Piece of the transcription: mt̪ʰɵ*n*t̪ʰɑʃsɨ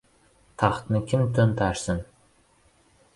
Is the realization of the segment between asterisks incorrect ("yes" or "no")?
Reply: no